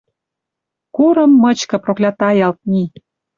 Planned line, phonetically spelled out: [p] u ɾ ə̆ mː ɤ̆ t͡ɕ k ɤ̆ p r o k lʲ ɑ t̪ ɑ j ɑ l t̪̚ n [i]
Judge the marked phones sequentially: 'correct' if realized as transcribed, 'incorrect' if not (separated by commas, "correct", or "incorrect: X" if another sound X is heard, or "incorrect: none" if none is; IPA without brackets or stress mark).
incorrect: k, correct